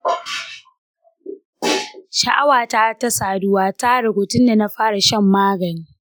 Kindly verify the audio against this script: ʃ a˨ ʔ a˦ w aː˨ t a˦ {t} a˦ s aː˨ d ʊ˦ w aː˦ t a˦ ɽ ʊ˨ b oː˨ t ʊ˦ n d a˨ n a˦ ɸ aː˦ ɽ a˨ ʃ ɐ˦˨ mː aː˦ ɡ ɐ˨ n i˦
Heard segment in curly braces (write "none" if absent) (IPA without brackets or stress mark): t